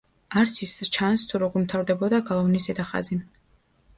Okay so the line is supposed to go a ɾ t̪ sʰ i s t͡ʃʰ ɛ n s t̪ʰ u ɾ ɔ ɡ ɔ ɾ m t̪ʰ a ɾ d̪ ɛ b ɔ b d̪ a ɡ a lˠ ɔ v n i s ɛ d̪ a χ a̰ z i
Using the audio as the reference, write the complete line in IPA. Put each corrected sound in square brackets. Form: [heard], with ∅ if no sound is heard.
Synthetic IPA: a ɾ t̪ sʰ i s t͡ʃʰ [a] n s t̪ʰ u ɾ ɔ ɡ ɔ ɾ m t̪ʰ a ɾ d̪ ɛ b ɔ [∅] d̪ a ɡ a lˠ ɔ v n i s ɛ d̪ a χ a̰ z i